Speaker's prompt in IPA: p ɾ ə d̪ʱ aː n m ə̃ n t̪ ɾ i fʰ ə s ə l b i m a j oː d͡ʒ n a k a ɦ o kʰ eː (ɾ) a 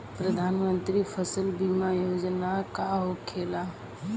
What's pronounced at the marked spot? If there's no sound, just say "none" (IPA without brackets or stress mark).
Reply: l